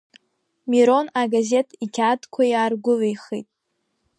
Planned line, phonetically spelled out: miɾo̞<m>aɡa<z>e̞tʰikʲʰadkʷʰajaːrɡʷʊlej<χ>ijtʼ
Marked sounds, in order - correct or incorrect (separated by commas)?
incorrect, correct, correct